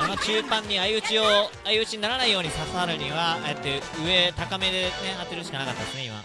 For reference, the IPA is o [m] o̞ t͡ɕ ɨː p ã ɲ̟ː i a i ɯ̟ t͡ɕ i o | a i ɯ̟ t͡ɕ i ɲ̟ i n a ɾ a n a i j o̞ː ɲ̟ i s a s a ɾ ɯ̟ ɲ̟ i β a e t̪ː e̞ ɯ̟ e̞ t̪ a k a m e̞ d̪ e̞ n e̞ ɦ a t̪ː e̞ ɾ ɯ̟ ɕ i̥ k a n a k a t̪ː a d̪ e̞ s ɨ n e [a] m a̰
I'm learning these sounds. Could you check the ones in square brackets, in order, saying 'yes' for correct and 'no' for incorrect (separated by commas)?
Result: no, no